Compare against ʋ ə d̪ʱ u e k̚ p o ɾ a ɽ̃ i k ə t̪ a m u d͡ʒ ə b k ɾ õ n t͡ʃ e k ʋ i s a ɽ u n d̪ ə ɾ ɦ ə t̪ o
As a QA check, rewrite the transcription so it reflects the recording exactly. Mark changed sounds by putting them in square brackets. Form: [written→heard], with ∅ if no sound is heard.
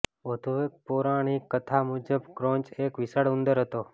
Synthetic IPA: ʋ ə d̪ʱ u e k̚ p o ɾ a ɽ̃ i k ə [t̪→t̪ʰ] a m u d͡ʒ ə b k ɾ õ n t͡ʃ e k ʋ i s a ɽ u n d̪ ə ɾ ɦ ə t̪ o

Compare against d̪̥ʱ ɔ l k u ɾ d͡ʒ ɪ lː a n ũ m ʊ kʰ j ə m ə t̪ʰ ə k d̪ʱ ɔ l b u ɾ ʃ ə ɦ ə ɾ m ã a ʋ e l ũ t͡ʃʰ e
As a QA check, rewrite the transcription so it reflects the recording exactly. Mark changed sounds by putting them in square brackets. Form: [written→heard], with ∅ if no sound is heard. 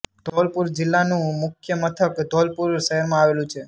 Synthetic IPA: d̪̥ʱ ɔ l [k→p] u ɾ d͡ʒ ɪ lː a n ũ m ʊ kʰ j ə m ə t̪ʰ ə k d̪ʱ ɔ l [b→p] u ɾ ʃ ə ɦ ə ɾ m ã a ʋ e l ũ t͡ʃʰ e

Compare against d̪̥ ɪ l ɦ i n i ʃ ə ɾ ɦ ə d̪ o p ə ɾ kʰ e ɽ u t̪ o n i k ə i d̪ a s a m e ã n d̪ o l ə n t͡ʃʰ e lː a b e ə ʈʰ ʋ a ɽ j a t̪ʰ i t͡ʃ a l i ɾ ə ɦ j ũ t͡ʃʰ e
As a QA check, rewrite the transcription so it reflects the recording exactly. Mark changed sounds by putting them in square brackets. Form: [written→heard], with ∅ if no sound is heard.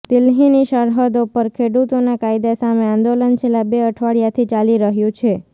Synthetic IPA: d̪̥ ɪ l ɦ i n i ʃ ə ɾ ɦ ə d̪ o p ə ɾ kʰ e ɽ u t̪ o n [i→a] k [ə→a] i d̪ a s a m e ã n d̪ o l ə n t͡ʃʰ e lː a b e ə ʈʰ ʋ a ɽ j a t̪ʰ i t͡ʃ a l i ɾ ə ɦ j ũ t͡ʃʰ e

